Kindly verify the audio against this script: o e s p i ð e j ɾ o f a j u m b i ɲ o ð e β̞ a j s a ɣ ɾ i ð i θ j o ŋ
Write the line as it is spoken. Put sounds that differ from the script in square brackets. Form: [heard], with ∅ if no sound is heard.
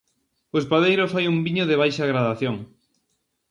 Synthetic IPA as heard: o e s p [a] ð e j ɾ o f a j u m b i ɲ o ð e β̞ a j [ʃ] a ɣ ɾ [a] ð [a] θ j o ŋ